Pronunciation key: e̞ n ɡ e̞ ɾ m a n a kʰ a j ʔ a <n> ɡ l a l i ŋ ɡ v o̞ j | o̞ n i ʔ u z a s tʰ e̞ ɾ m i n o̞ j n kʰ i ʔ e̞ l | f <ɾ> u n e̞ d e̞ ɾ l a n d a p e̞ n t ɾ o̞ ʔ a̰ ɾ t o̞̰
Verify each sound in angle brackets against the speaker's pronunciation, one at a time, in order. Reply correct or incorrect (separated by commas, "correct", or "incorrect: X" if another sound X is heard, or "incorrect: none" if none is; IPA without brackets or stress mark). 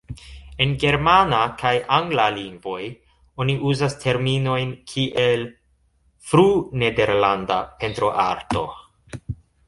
incorrect: ŋ, correct